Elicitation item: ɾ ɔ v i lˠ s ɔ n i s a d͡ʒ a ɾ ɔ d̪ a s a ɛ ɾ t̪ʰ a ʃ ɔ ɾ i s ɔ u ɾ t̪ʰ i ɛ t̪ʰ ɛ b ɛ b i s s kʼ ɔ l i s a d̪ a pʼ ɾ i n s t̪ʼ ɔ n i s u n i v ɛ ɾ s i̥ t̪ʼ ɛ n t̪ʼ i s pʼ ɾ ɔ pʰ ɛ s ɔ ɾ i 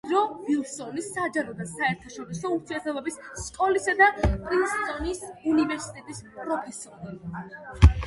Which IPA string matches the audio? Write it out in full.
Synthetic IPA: ɾ ɔ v i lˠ s ɔ n i s a d͡ʒ a ɾ ɔ d̪ a s a ɛ ɾ t̪ʰ a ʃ ɔ ɾ i s ɔ u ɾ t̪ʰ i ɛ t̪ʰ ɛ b ɛ b i s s kʼ ɔ l i s a d̪ a pʼ ɾ i n s t̪ʼ ɔ n i s u n i v ɛ ɾ s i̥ t̪ʼ ɛ t̪ʼ i s pʼ ɾ ɔ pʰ ɛ s ɔ ɾ i